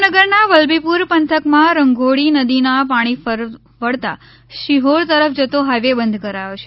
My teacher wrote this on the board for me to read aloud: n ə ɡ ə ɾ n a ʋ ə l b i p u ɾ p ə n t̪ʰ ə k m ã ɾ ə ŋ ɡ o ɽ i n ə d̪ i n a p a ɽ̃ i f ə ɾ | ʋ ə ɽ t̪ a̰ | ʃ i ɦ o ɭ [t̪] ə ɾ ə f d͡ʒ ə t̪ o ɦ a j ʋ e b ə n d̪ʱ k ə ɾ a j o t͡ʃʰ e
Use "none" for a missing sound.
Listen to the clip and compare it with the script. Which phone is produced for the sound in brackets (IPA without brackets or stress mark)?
t̪